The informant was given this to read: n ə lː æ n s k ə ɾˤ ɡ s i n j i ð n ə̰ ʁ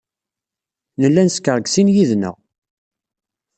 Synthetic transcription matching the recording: n ə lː æ n s k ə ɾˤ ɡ s i n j i ð n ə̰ ʁ